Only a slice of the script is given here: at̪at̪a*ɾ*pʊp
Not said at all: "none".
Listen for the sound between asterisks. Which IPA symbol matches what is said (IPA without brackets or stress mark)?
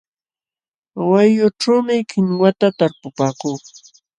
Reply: ɾ